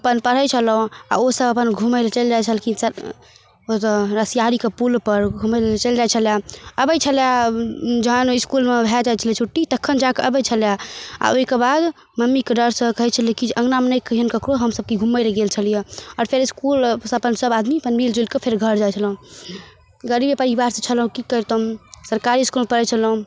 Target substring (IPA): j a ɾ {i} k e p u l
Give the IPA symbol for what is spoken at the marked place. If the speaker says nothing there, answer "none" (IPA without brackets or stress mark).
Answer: i